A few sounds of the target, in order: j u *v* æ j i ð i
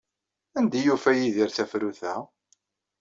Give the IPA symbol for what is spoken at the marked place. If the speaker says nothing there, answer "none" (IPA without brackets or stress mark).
f